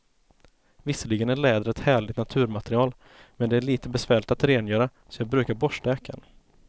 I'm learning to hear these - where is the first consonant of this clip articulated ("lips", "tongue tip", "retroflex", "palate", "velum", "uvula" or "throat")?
lips